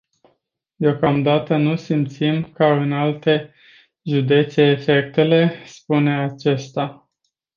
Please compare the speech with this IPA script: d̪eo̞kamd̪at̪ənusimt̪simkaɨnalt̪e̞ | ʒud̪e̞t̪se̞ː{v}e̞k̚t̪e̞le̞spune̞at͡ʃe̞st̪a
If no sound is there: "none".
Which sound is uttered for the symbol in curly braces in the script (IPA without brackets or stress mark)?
f